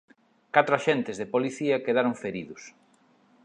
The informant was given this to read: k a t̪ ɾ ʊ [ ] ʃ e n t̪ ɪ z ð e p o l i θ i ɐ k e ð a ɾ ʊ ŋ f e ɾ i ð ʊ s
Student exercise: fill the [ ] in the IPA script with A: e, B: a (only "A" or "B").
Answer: B